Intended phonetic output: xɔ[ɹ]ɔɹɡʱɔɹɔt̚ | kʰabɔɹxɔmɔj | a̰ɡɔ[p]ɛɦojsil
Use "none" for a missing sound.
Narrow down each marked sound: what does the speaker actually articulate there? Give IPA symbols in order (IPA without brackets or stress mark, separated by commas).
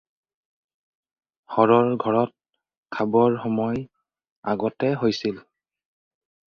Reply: ɹ, t